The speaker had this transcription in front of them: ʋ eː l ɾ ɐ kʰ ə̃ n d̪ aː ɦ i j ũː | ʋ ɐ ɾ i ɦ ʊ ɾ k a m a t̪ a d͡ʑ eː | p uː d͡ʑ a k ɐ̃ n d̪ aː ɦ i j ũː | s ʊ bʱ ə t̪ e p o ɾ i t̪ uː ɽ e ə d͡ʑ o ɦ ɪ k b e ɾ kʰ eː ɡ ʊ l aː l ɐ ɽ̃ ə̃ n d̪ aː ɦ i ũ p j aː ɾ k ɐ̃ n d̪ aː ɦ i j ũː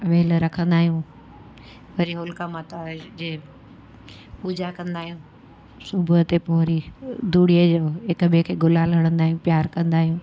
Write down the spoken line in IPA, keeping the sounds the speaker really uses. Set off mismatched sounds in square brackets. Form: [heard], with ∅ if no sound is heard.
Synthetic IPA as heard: ʋ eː l ɾ ɐ kʰ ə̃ n d̪ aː ɦ i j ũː | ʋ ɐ ɾ i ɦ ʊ [l] k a m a t̪ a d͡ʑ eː | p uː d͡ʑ a k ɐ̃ n d̪ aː ɦ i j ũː | s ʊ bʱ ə t̪ e p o ɾ i [d̪] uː ɽ [i] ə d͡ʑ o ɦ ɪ k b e [∅] kʰ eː ɡ ʊ l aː l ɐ ɽ̃ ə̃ n d̪ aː ɦ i ũ p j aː ɾ k ɐ̃ n d̪ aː ɦ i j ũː